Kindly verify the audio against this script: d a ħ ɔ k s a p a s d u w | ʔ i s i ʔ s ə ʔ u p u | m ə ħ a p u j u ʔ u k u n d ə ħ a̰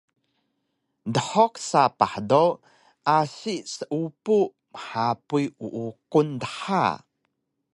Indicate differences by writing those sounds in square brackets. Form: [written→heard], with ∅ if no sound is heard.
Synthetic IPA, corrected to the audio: d [a→ə] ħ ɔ k s a p a [s→ħ] d [u→o] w | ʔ [i→a] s i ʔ s ə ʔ u p u | m ə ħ a p u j u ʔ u k u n d ə ħ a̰